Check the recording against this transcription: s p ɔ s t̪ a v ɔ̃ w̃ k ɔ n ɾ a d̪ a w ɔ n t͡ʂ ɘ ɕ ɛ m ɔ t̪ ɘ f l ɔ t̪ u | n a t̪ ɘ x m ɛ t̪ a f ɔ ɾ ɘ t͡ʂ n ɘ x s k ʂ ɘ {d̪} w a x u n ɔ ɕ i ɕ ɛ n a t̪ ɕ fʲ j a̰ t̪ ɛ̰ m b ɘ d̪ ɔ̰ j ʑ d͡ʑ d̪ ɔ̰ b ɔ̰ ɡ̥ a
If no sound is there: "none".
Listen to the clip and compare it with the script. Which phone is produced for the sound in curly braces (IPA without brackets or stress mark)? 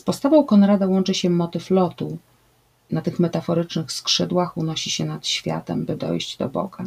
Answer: d̪